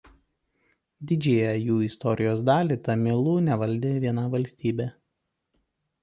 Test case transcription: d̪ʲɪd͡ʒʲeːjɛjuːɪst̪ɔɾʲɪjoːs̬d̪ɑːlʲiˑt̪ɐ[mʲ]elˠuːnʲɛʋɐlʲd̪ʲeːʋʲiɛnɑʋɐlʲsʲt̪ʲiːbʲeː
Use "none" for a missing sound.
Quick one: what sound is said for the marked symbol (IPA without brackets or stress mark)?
mʲ